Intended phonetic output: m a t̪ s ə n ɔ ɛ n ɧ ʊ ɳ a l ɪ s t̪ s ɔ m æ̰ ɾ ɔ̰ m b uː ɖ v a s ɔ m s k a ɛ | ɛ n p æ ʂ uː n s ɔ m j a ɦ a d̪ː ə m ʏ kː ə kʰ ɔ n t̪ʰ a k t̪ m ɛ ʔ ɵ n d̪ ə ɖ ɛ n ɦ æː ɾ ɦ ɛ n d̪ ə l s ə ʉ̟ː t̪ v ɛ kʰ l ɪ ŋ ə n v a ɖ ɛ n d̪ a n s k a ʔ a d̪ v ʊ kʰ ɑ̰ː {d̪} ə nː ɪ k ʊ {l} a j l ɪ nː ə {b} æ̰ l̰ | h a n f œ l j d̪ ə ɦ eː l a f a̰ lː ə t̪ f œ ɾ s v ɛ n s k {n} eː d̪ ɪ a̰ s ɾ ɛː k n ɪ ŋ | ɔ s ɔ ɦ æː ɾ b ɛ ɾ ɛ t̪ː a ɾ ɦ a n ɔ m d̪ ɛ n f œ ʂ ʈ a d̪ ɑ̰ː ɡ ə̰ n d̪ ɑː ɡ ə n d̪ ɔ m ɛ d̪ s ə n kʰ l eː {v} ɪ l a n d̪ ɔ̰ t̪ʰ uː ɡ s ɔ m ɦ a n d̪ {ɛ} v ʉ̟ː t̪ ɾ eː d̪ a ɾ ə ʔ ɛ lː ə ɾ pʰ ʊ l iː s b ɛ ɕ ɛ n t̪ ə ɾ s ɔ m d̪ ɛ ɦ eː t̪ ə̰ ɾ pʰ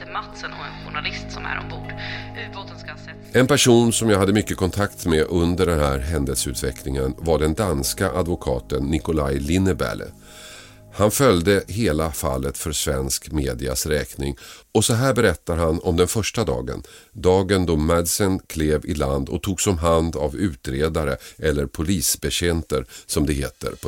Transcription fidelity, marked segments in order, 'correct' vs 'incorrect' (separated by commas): incorrect, correct, correct, incorrect, correct, incorrect